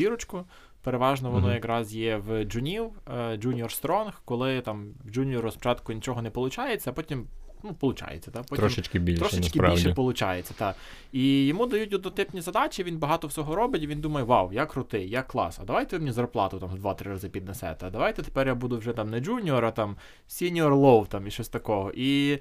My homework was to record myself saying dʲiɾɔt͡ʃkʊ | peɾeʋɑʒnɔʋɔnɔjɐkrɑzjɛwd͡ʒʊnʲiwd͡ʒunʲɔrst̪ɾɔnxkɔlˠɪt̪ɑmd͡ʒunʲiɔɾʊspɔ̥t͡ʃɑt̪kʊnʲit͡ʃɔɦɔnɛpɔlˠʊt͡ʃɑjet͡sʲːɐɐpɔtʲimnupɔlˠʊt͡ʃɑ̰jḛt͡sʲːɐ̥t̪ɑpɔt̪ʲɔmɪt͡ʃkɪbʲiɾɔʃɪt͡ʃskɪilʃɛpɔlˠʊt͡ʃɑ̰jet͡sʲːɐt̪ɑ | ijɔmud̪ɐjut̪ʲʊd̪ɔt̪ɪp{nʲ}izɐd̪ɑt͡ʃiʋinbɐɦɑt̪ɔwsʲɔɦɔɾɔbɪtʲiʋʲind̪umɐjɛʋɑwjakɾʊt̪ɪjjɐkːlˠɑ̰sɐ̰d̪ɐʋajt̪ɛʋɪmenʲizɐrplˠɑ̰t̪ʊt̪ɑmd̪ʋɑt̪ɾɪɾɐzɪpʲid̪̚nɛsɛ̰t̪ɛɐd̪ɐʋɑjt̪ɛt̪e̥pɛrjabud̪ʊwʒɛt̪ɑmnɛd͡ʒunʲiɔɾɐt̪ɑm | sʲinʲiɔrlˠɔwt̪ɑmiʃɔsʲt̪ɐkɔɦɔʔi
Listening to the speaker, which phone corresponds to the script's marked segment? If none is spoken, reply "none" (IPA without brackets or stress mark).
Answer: nʲ